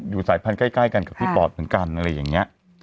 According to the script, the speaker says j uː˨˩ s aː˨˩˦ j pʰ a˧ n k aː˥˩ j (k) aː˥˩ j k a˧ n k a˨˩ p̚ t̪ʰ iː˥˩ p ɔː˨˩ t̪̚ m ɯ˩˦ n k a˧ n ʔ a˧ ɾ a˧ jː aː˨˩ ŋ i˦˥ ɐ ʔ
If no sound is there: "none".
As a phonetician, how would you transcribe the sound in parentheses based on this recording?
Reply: k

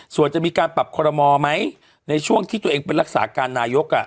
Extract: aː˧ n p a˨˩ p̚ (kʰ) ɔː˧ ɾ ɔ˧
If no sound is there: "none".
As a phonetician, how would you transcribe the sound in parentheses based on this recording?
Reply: kʰ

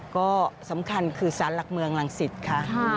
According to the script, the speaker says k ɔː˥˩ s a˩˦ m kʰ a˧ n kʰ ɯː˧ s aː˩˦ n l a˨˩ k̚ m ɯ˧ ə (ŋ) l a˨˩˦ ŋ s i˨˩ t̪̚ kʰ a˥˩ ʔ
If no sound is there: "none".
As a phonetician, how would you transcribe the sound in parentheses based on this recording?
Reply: ŋ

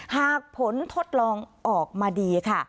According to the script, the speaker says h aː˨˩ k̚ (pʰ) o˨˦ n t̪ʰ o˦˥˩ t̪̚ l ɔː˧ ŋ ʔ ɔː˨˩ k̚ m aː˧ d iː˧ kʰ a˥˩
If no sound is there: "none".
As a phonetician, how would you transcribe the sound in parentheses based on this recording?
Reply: pʰ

